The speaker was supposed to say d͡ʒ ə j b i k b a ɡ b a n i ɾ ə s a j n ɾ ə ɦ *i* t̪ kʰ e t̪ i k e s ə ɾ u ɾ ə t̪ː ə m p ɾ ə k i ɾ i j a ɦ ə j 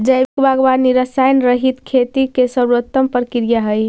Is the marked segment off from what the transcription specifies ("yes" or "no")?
no